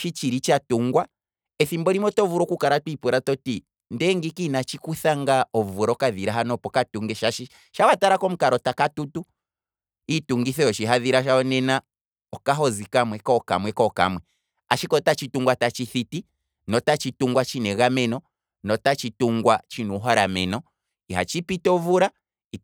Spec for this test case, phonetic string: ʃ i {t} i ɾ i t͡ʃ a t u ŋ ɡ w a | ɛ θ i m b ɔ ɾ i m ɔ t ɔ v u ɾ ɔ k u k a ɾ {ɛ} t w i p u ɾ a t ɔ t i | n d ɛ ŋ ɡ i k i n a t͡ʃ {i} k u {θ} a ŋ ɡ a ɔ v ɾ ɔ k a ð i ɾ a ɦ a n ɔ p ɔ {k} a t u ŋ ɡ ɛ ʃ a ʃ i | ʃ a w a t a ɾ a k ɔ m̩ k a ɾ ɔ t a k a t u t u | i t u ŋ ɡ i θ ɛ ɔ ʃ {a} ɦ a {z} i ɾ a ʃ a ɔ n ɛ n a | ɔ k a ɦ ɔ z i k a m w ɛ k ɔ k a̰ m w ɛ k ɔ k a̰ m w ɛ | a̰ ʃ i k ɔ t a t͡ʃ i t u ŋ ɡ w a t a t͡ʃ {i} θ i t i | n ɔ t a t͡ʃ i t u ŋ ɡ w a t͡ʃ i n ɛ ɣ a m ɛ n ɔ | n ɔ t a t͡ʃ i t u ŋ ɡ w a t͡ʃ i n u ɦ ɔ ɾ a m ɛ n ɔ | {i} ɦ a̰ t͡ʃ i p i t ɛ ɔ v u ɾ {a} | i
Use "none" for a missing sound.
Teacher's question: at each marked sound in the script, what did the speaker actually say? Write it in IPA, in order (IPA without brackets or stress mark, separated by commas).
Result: t͡ʃ, a, i, θ, k, i, ð, i, i, a